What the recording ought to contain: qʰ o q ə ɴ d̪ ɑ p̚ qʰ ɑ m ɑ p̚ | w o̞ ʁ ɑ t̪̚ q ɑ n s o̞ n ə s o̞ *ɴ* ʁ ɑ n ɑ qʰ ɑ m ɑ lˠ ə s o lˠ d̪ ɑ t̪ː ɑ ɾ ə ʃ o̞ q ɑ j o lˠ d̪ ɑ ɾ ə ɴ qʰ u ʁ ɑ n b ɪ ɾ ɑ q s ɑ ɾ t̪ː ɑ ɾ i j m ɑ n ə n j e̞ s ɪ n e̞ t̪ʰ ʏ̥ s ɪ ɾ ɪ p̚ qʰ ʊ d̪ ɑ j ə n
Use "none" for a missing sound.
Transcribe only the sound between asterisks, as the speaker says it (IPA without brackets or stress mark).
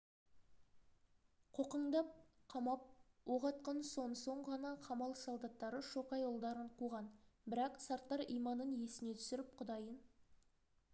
ɴ